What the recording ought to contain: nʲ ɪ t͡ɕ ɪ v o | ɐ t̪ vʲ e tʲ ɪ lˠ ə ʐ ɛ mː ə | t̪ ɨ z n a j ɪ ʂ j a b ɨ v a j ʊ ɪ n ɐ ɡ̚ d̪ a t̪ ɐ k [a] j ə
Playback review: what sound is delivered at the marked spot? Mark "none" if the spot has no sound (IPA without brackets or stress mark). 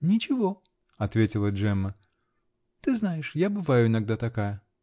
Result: a